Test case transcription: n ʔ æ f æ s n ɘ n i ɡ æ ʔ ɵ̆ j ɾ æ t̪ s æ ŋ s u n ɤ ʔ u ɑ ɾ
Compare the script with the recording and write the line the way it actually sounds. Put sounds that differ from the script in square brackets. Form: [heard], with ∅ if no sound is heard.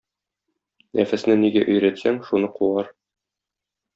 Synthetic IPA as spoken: n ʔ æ f æ s n ɘ n i ɡ æ ʔ ɵ̆ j ɾ æ t̪ s æ ŋ [ʃ] u n ɤ [q] u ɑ ɾ